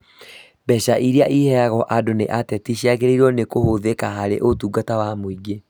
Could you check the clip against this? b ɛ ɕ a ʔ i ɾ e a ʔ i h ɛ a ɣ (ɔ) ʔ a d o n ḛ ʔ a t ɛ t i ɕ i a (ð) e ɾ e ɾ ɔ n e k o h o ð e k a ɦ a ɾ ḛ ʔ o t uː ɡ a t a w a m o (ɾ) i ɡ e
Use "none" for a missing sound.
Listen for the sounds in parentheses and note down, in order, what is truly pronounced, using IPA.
ɔ, ɣ, none

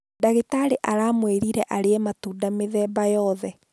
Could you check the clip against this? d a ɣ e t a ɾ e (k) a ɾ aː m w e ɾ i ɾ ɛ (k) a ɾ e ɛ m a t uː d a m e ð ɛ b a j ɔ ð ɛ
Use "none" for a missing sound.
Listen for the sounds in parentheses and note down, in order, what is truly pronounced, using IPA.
ʔ, ʔ

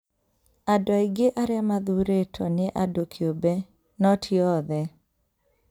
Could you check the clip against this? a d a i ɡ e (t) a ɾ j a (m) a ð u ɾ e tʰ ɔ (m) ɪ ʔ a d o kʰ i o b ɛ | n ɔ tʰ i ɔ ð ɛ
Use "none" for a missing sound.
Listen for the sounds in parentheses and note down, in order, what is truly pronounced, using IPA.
ʔ, m, n

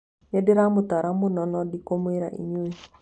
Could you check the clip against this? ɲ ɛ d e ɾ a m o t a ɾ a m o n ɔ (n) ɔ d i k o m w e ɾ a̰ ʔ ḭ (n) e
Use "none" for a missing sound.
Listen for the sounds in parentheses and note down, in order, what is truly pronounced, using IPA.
n, ɲ

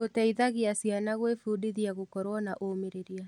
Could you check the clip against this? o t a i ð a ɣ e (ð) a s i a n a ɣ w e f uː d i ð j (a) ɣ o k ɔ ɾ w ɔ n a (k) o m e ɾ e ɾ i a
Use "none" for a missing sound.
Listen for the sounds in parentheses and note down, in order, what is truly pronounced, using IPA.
none, a, ʔ

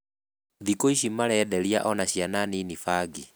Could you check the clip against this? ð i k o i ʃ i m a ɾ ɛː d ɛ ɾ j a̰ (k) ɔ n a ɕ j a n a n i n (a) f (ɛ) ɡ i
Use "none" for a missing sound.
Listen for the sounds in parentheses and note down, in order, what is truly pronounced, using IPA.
ʔ, i, a

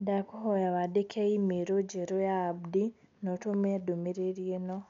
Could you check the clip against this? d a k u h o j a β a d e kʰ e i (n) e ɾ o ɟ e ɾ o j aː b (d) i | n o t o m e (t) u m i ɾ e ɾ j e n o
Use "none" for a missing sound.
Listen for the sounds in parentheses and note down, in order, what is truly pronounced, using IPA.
m, d, d

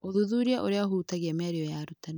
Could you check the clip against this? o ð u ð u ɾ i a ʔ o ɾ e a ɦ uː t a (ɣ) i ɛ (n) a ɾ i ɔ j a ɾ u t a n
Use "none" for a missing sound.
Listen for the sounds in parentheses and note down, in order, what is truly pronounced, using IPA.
ɣ, m

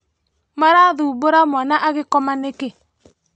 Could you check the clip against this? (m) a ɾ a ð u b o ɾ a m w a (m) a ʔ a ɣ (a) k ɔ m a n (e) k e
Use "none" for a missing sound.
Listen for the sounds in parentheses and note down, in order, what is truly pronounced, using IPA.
m, n, e, e

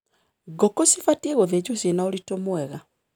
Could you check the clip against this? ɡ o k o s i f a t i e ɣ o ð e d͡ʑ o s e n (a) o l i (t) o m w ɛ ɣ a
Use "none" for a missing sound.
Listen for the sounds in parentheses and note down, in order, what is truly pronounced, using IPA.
a, t

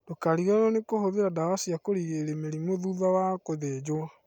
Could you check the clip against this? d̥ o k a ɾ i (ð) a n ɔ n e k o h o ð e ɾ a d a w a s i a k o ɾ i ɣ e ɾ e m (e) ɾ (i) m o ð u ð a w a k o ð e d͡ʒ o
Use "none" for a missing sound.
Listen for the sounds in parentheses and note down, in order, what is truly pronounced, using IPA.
ɣ, e, i

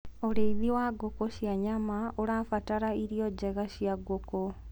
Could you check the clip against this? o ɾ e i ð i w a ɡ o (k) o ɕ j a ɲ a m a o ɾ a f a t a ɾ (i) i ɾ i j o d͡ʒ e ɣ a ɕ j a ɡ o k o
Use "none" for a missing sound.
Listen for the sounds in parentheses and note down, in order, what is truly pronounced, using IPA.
k, a

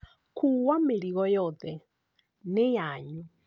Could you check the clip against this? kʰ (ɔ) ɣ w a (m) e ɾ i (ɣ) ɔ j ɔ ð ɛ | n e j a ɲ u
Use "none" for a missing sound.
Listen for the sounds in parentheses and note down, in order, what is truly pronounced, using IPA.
u, m, ɣ

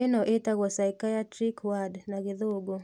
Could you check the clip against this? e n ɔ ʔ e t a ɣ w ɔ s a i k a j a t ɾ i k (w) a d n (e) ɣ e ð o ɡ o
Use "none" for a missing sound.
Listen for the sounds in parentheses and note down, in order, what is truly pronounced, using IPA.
w, a

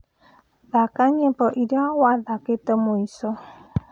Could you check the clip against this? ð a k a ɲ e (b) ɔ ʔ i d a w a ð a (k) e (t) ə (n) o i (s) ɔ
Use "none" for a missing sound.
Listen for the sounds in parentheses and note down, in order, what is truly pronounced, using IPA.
p, k, t, m, s

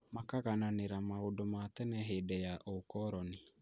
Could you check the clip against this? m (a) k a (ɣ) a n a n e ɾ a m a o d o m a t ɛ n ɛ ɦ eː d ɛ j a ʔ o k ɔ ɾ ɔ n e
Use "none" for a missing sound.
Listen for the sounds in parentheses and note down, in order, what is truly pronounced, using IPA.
a, ɣ

